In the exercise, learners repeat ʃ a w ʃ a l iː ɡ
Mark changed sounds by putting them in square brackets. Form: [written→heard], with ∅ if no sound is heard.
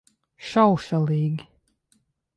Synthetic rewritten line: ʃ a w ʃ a l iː ɡ